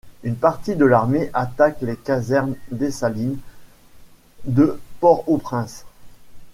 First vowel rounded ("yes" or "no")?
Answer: yes